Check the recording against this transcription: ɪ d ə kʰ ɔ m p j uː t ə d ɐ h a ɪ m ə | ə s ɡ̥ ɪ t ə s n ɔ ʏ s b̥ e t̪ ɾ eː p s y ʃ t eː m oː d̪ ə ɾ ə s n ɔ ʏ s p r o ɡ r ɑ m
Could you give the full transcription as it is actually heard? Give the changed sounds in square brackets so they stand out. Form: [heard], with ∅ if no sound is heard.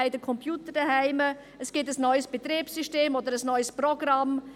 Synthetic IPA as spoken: ɪ d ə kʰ ɔ m p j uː t ə d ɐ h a ɪ m ə | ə s ɡ̥ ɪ t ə s n ɔ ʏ s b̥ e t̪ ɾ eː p s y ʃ t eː m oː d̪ ə ɾ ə s n ɔ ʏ s p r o ɡ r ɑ m